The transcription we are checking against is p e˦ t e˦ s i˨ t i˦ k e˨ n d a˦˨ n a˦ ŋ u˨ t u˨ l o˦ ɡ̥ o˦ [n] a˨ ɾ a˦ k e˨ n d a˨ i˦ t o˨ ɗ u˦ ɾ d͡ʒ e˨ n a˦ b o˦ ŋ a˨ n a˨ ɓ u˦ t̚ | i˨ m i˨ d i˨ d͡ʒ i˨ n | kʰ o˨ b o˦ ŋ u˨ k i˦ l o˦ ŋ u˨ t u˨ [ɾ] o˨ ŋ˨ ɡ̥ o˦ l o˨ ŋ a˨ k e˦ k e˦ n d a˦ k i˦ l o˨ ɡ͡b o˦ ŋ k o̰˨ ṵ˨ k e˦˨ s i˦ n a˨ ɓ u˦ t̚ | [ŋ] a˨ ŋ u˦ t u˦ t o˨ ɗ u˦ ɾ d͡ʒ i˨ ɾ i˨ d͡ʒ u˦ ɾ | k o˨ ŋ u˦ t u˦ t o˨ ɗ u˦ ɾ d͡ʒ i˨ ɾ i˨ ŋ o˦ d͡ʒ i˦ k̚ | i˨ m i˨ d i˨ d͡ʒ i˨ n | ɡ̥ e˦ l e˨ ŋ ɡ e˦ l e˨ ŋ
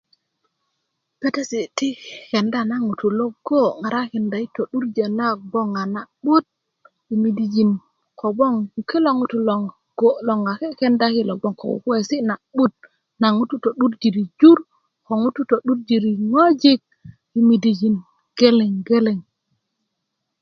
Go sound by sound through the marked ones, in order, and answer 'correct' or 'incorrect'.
incorrect: ŋ, incorrect: l, incorrect: n

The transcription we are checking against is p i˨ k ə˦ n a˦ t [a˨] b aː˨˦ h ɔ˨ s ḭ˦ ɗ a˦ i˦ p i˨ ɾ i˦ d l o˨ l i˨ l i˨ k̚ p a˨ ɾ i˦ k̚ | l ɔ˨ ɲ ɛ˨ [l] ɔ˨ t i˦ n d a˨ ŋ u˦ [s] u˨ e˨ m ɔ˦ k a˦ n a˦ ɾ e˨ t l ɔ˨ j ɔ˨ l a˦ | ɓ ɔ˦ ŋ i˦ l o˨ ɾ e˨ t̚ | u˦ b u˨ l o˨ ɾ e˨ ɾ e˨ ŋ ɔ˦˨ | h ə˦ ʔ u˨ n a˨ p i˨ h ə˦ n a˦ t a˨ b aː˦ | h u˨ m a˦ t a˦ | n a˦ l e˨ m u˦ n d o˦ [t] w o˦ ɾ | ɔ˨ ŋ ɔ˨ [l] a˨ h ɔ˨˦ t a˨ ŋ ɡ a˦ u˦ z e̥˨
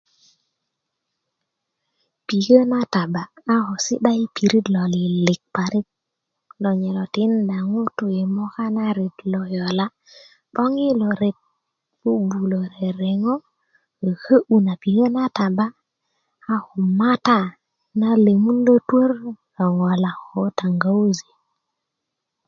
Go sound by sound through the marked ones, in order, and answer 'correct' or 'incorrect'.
correct, correct, incorrect: t, correct, correct

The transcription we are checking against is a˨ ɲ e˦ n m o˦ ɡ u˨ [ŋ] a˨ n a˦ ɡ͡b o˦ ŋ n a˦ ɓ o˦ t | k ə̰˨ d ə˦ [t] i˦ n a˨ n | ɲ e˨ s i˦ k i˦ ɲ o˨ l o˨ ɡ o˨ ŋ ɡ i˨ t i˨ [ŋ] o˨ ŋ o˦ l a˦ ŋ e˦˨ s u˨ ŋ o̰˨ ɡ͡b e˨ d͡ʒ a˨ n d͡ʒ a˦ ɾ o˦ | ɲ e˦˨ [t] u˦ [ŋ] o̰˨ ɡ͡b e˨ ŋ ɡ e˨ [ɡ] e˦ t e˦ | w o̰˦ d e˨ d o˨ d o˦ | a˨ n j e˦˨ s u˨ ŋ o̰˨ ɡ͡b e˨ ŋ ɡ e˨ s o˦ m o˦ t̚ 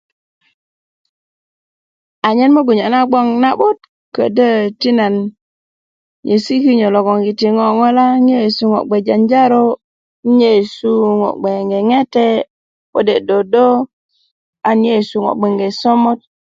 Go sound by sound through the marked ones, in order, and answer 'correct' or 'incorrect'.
incorrect: ɲ, correct, correct, incorrect: s, correct, incorrect: ŋ

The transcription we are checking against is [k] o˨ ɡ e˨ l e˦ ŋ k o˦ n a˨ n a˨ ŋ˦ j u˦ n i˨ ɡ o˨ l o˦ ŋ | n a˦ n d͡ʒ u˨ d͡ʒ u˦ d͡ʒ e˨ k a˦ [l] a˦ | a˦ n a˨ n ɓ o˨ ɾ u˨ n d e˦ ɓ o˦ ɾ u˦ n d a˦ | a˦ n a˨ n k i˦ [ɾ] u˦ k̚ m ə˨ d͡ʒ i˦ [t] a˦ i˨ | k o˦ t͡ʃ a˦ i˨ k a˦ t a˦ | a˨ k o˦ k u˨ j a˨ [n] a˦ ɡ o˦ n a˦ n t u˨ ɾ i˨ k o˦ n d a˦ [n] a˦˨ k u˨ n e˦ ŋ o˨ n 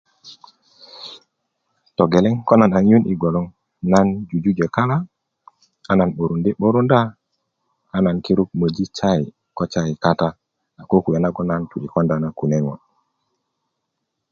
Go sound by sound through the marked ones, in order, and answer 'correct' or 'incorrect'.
incorrect: t, correct, correct, incorrect: t͡ʃ, correct, correct

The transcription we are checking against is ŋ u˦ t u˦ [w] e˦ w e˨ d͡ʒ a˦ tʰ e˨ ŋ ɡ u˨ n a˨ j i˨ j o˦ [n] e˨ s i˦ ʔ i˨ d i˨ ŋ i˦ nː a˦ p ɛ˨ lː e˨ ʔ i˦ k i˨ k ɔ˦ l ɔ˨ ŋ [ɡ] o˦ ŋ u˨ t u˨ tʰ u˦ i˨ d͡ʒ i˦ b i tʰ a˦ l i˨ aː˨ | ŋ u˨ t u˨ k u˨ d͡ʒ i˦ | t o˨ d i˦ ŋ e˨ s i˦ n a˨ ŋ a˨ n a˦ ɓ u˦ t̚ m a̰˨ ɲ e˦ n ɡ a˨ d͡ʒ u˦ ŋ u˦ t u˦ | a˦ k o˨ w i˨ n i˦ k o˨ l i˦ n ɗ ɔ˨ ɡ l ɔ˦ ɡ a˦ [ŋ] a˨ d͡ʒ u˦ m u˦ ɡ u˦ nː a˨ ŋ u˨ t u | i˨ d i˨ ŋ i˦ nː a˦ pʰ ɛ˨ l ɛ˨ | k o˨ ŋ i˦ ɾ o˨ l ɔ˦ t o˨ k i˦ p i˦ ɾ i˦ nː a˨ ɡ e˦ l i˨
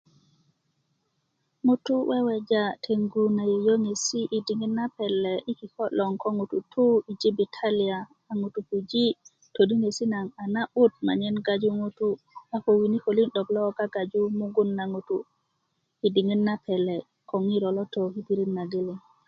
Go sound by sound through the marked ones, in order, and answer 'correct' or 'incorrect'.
correct, incorrect: ŋ, incorrect: k, incorrect: ɡ

